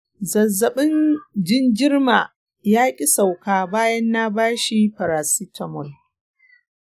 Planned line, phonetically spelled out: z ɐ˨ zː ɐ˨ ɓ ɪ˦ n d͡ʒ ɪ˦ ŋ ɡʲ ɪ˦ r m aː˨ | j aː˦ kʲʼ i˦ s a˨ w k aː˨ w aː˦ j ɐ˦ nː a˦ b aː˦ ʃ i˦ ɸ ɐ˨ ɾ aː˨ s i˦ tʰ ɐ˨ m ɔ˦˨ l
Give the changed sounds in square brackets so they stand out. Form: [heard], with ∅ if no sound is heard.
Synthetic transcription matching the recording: z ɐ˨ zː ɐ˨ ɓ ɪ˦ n d͡ʒ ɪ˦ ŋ ɡʲ ɪ˦ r m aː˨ | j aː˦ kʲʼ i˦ s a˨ w k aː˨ [b] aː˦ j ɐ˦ nː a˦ b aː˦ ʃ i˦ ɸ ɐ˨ ɾ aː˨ s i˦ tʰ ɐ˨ m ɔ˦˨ l